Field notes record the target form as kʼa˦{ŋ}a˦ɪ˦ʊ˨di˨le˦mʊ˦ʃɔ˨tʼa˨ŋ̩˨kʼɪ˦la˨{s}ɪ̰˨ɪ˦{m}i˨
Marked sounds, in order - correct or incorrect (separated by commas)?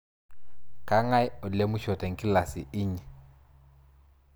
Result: correct, correct, incorrect